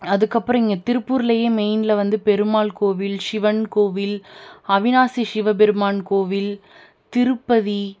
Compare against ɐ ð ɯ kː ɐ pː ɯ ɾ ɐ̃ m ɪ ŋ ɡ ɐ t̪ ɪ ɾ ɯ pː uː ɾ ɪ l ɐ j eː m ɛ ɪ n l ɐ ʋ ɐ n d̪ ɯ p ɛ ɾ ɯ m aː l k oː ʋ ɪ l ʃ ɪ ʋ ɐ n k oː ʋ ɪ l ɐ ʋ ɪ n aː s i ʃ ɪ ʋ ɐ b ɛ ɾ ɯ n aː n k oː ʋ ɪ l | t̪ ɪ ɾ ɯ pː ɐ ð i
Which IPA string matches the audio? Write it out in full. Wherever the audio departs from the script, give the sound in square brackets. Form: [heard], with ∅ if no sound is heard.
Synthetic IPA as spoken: ɐ ð ɯ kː ɐ pː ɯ ɾ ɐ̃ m ɪ ŋ ɡ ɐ t̪ ɪ ɾ ɯ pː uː ɾ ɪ l ɐ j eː m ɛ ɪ n l ɐ ʋ ɐ n d̪ ɯ p ɛ ɾ ɯ m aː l k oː ʋ ɪ l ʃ ɪ ʋ ɐ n k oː ʋ ɪ l ɐ ʋ ɪ n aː s i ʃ ɪ ʋ ɐ b ɛ ɾ ɯ [m] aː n k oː ʋ ɪ l | t̪ ɪ ɾ ɯ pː ɐ ð i